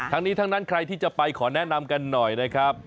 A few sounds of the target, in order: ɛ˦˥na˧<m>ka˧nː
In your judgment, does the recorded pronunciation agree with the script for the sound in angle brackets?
yes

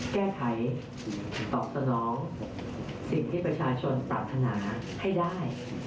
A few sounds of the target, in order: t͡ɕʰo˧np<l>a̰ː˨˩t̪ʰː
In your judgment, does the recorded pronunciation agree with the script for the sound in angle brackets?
no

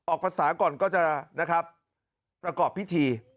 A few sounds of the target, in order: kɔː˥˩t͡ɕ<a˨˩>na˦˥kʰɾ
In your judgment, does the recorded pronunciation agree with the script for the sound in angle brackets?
yes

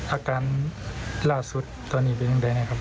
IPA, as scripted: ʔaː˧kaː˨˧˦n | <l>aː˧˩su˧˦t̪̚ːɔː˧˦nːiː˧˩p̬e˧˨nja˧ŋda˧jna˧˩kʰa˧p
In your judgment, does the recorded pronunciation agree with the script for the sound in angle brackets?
yes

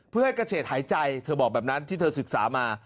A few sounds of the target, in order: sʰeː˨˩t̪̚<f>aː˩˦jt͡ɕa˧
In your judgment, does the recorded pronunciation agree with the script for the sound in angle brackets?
no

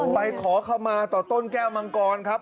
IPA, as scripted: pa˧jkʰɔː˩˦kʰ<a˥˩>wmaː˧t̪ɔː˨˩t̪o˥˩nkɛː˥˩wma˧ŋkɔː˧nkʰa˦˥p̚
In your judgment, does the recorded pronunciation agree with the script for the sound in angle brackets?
no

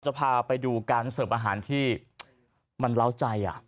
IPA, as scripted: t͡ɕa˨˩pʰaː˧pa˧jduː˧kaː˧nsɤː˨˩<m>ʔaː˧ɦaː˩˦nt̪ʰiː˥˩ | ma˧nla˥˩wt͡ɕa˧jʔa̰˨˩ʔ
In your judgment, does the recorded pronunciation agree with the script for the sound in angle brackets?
yes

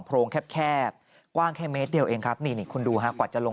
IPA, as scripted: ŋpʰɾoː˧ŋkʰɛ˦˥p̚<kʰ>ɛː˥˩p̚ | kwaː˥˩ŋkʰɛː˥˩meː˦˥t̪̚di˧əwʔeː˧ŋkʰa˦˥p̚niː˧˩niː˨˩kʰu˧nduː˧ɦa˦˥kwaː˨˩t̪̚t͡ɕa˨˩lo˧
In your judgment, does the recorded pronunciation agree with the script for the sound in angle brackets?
yes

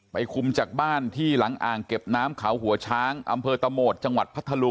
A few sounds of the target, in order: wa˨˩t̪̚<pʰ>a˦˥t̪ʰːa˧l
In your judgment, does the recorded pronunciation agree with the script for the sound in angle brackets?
yes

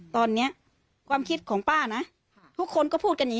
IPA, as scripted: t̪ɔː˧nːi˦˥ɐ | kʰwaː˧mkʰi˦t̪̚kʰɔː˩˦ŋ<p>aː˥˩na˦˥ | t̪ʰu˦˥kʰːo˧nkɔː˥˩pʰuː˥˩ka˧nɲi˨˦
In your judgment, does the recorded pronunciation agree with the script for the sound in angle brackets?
yes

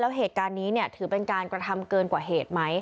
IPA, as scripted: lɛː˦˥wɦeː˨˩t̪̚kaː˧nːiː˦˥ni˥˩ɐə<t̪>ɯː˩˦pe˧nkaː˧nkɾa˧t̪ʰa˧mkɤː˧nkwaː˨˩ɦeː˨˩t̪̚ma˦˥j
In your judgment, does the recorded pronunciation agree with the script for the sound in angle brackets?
no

